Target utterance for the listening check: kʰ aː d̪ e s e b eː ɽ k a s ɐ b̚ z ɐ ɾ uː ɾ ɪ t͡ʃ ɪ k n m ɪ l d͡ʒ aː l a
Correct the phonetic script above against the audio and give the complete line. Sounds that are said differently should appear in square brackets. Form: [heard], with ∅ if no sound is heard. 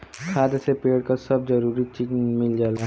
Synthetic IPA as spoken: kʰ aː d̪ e s e [p] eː ɽ k a s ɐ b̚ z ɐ ɾ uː ɾ [i] t͡ʃ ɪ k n m ɪ l d͡ʒ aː l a